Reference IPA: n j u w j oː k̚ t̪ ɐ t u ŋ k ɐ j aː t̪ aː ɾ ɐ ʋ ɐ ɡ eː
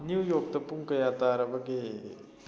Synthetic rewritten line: n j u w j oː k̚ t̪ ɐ p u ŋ k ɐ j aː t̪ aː ɾ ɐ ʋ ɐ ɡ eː